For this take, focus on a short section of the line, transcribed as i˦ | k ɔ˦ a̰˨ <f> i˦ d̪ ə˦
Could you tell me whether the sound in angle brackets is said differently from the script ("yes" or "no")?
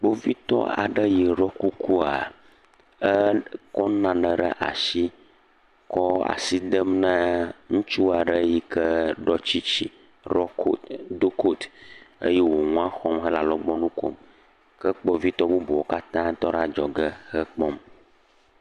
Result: yes